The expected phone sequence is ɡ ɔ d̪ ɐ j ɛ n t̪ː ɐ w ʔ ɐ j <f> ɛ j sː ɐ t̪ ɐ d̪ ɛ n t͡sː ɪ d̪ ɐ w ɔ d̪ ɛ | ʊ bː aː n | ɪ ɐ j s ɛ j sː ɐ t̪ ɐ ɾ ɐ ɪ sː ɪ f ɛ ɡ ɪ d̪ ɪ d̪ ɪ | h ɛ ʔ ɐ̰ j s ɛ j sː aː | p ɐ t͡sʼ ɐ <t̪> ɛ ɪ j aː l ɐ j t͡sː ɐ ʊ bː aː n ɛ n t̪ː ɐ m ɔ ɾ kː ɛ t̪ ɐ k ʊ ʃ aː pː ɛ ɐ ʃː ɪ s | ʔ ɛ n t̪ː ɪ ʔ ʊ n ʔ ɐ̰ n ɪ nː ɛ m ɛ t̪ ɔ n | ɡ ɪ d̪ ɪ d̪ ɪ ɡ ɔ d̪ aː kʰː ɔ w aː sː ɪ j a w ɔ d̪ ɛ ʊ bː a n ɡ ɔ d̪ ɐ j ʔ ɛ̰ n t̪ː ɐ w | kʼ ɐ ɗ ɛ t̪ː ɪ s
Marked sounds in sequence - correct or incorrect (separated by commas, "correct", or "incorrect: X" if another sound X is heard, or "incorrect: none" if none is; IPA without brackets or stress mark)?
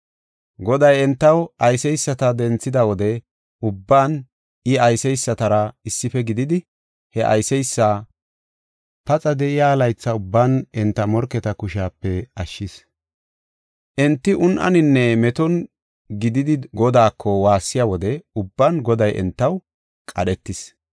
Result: incorrect: s, incorrect: d̪